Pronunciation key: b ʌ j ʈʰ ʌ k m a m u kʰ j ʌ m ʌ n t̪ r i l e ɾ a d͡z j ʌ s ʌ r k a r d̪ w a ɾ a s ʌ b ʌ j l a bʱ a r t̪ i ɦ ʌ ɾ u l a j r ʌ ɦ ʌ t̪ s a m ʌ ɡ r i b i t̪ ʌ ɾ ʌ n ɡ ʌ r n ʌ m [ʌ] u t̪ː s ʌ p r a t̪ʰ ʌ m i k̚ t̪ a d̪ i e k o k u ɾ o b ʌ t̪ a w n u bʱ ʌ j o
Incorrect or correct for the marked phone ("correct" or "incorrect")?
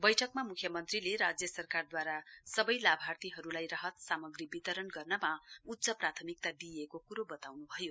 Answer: incorrect